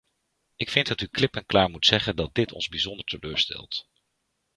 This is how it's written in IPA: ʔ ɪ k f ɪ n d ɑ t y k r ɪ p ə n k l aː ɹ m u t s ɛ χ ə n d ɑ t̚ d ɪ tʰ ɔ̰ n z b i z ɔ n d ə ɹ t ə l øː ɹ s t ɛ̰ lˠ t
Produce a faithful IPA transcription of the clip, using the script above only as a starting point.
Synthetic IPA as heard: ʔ ɪ k f ɪ n d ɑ t y k l ɪ p ə n k l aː ɹ m u t s ɛ χ ə n d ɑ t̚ d ɪ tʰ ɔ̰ n z b i z ɔ n d ə ɹ t ə l øː ɹ s t ɛ̰ lˠ t